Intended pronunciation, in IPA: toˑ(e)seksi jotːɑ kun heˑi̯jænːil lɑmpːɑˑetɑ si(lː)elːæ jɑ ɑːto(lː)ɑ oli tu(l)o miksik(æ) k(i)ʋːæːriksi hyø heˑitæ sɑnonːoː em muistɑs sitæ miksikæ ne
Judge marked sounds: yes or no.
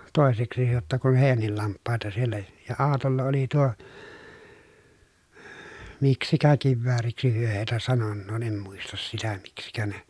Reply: yes, no, yes, no, yes, yes

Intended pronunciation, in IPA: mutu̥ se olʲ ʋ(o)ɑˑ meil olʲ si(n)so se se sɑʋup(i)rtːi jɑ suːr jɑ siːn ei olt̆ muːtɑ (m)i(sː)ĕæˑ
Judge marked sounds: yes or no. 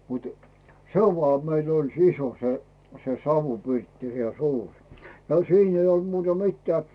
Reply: yes, no, yes, yes, no

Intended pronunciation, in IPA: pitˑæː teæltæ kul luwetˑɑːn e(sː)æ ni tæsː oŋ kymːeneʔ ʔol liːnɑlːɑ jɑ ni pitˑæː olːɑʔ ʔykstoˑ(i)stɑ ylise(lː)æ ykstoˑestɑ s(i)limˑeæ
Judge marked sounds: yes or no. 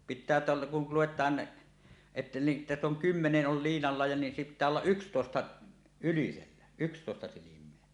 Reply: no, no, yes, yes

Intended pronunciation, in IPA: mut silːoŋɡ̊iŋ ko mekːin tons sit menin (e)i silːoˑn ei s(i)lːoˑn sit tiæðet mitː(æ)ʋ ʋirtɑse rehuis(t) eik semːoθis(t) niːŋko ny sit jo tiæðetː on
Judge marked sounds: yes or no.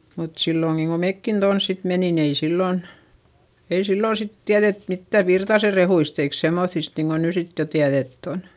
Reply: yes, yes, yes, yes, yes

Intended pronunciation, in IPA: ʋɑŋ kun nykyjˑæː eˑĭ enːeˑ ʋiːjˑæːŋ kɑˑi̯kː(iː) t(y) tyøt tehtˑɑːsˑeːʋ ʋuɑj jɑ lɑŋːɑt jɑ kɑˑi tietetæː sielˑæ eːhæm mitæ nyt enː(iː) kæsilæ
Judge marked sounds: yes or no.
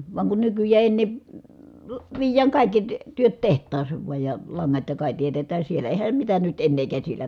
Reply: no, yes, no

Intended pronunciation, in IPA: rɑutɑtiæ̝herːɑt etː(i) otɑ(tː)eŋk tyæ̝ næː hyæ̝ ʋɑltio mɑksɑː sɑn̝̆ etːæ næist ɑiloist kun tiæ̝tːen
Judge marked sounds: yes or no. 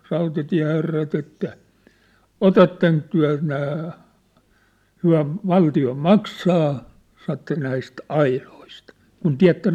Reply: no, yes

